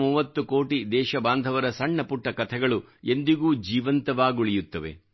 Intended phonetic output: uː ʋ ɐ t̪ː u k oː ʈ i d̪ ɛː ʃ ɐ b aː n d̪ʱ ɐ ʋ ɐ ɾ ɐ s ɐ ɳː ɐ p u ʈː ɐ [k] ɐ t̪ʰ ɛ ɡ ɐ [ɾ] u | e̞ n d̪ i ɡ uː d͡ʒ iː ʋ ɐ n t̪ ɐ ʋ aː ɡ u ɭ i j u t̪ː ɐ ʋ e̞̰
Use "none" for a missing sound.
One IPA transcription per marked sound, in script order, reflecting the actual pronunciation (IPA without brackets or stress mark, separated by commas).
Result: k, ɭ